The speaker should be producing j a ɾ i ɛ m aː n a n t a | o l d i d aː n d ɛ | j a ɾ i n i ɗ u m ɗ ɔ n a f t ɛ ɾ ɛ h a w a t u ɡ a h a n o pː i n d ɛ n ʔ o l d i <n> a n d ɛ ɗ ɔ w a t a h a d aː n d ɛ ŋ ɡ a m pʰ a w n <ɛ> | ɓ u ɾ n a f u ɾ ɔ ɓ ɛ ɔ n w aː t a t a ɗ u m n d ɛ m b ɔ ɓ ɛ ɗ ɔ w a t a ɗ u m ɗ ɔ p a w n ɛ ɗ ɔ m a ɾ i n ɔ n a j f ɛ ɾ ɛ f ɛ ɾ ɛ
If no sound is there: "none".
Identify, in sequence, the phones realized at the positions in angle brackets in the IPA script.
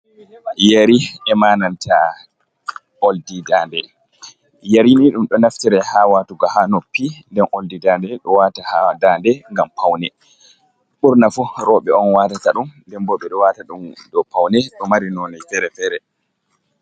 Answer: d, ɛ

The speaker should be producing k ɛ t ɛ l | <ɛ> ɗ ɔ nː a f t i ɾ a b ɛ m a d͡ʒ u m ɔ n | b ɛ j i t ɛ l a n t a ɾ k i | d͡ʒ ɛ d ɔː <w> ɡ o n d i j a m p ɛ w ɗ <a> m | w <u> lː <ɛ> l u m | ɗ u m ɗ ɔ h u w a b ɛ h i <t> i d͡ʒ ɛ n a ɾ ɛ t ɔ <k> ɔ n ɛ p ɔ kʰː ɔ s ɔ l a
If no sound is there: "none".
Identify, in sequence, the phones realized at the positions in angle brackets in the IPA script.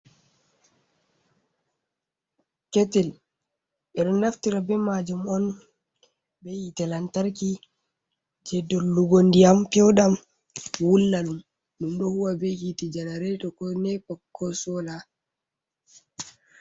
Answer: ɛ, u, a, u, a, t, k

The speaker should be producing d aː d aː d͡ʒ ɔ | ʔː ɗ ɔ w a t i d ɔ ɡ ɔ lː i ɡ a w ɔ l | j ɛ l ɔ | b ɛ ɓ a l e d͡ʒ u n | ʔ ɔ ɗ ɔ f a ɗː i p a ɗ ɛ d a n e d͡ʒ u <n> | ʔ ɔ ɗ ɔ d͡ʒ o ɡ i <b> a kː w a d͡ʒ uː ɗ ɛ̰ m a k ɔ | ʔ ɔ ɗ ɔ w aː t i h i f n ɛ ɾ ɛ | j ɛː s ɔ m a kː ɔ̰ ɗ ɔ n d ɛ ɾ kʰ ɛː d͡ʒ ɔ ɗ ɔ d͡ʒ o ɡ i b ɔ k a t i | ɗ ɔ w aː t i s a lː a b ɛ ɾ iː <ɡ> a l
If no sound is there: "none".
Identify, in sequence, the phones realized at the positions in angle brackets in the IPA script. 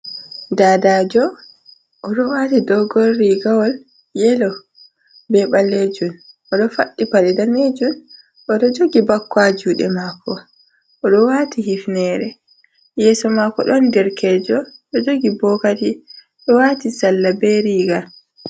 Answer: n, b, ɡ

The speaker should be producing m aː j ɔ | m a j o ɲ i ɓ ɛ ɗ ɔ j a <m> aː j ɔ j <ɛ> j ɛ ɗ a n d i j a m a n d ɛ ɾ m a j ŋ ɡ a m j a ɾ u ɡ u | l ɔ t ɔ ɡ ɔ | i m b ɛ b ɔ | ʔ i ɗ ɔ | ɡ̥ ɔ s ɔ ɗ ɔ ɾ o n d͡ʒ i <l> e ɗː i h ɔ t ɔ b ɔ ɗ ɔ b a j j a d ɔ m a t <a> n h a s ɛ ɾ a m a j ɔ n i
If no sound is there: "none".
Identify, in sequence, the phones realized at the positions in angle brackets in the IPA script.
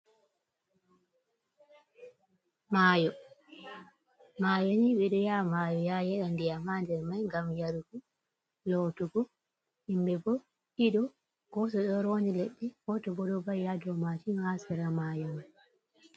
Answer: m, a, l, i

